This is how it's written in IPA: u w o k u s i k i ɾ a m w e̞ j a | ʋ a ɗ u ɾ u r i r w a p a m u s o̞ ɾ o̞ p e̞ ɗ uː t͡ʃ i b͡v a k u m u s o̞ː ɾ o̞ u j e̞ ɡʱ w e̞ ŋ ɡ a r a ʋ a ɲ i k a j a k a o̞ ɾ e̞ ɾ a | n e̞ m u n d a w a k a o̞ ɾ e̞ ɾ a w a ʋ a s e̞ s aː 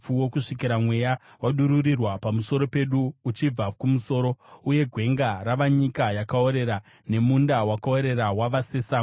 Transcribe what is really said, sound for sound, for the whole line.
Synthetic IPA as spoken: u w o k u ʂ i k i ɾ a m w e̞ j a | w a ɗ u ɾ u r i r w a p a m u s o̞ ɾ o̞ p e̞ ɗ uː t͡ʃ i b͡v a k u m u s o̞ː ɾ o̞ u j e̞ ɡʱ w e̞ ŋ ɡ a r a ʋ a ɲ i k a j a k a o̞ ɾ e̞ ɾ a | n e̞ m u n d a w a k a o̞ ɾ e̞ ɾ a w a ʋ a s e̞ s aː